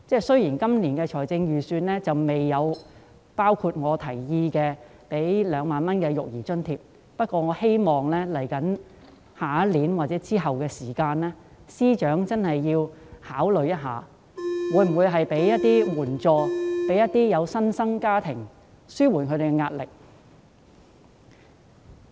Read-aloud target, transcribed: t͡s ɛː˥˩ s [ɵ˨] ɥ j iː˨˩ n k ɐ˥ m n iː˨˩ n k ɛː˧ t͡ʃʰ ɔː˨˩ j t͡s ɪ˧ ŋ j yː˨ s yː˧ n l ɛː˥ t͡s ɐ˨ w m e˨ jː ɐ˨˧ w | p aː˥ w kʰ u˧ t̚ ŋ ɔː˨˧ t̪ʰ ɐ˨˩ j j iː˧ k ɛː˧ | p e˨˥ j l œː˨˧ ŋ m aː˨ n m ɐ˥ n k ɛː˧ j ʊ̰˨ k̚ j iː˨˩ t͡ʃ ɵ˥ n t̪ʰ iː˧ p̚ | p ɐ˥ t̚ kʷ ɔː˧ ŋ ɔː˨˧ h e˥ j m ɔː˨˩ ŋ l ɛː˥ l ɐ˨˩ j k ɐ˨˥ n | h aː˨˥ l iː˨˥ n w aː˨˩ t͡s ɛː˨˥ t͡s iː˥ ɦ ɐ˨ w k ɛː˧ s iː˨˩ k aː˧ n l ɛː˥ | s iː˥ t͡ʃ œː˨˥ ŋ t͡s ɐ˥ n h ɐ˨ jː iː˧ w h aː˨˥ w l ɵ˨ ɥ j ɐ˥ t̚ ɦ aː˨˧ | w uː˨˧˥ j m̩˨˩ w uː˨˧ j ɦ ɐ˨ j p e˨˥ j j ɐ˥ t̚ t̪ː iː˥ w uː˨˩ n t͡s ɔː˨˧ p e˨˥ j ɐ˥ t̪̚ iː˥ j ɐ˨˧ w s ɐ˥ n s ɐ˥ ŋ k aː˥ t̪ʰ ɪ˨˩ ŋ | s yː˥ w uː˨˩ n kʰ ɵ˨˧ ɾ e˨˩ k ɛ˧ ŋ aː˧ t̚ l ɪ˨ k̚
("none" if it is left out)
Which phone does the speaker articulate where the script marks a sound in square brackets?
ɵ˥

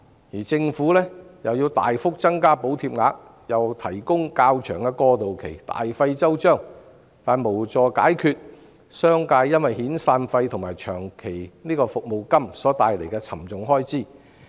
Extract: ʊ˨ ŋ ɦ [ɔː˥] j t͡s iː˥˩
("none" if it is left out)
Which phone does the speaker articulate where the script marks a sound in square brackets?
ɔː˥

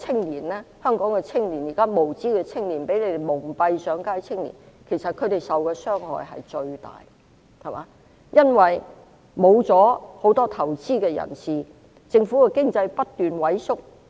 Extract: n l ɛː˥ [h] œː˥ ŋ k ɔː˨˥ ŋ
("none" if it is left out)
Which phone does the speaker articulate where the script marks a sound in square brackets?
h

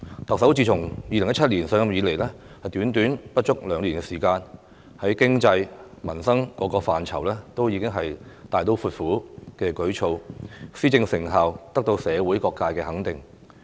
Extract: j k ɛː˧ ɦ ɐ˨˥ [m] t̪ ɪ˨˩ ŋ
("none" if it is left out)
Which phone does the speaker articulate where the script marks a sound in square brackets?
ŋ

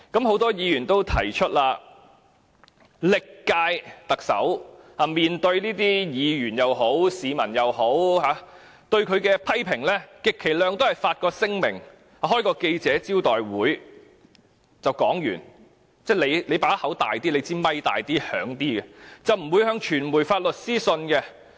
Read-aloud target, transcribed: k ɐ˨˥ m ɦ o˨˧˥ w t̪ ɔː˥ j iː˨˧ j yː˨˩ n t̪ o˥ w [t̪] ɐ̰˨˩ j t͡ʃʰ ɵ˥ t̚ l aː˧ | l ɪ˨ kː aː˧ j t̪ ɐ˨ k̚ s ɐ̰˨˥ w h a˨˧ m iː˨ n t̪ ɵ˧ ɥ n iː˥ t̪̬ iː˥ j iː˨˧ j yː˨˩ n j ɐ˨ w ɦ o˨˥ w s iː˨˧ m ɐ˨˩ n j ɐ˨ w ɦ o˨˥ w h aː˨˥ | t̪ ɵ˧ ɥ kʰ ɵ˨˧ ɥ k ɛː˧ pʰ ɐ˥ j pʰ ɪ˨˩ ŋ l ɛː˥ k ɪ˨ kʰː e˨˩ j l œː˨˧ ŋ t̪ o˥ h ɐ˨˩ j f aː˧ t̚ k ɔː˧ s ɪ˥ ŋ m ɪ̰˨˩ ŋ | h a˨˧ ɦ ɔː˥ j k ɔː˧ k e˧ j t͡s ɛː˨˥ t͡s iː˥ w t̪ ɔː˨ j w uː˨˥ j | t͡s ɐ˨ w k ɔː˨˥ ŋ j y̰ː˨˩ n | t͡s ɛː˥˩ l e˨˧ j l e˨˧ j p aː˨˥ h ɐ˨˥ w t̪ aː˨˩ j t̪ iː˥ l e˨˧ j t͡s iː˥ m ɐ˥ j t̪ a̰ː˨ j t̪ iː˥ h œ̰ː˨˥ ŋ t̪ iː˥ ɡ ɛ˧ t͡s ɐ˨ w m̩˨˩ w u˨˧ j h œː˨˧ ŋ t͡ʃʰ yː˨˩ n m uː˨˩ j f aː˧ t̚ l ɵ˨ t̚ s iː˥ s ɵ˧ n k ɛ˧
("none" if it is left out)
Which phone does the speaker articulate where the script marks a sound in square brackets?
t̪ʰ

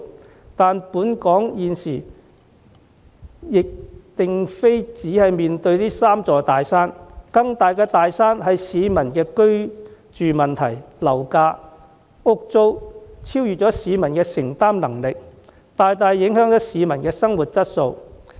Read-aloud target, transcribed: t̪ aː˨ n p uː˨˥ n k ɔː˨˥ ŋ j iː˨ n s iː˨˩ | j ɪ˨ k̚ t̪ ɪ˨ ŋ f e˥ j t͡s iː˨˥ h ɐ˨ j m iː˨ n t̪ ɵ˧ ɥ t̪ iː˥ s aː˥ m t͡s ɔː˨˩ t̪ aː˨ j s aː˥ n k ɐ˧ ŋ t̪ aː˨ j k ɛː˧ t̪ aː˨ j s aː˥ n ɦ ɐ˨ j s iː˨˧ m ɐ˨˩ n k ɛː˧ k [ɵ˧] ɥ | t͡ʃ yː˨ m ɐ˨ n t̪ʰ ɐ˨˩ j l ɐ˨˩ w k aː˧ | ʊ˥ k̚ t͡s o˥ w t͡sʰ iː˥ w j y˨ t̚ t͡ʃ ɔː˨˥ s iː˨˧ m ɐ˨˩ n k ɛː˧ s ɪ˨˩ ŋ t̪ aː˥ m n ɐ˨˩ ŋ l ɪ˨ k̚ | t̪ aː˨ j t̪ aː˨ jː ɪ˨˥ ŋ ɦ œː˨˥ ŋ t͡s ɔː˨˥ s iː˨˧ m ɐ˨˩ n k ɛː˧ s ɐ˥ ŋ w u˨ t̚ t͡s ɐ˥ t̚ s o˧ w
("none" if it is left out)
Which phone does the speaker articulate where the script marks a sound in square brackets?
ɵ˥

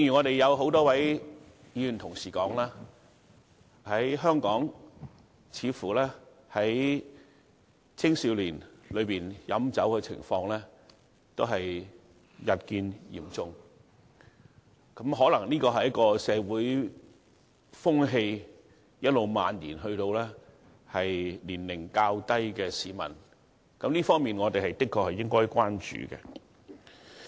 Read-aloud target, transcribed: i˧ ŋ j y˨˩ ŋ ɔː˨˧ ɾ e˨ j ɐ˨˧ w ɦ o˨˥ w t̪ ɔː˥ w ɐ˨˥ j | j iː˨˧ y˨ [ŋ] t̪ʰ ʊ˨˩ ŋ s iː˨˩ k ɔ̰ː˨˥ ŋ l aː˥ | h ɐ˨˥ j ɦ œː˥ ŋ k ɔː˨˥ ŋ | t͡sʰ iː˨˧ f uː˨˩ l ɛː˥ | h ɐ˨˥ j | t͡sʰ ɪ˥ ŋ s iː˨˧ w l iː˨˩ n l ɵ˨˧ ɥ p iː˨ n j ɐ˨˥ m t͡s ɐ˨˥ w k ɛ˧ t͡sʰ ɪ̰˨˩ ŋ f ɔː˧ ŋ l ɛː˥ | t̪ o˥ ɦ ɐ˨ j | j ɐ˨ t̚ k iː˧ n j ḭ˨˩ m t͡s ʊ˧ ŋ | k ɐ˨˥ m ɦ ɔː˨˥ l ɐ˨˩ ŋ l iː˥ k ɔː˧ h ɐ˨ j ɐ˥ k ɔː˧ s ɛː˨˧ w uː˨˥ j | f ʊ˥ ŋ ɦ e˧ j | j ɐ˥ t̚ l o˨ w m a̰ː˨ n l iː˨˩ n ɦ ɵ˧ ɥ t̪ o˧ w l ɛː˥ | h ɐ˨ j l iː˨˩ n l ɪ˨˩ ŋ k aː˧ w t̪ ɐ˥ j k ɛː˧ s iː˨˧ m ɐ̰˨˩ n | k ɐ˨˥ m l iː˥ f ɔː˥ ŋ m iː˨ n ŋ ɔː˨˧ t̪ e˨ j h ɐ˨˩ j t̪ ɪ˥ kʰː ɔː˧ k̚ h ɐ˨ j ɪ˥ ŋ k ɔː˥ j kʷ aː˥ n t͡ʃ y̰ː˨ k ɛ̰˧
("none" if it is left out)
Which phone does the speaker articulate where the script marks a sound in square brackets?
n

